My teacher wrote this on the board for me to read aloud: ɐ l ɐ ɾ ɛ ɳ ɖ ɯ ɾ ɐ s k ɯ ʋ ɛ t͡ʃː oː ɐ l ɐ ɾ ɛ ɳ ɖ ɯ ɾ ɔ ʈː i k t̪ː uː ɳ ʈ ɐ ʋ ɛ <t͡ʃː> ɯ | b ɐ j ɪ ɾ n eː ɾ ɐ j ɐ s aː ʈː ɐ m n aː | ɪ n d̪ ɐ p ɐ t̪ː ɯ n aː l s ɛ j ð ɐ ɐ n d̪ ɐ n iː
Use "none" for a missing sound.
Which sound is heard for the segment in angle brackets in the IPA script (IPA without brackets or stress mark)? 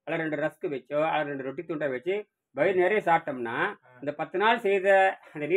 t͡ʃː